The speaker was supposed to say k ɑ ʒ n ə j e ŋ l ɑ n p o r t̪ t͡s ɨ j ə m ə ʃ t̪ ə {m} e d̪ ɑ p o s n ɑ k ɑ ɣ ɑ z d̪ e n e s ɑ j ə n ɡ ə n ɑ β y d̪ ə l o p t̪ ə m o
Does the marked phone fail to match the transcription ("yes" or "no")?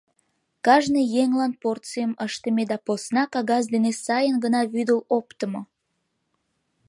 no